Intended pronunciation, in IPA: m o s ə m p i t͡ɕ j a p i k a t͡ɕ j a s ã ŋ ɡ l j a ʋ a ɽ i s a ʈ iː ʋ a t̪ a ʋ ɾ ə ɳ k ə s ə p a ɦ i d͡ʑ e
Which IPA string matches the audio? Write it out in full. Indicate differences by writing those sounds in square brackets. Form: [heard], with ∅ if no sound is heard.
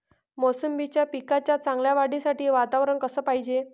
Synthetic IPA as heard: m o s ə m [b] i t͡ɕ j a p i k a t͡ɕ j a [t͡s] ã ŋ ɡ l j a ʋ a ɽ i s a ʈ iː ʋ a t̪ a ʋ ɾ ə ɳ k ə s [əː] p a ɦ i d͡ʑ e